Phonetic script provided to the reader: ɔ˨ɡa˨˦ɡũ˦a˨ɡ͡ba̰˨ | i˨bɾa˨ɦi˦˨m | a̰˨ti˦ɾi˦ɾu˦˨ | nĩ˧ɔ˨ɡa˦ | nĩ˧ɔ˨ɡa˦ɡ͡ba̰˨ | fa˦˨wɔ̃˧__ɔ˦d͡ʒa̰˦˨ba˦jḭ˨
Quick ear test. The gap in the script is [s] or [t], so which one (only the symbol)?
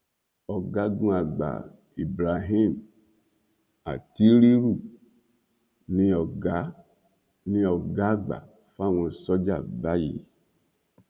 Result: s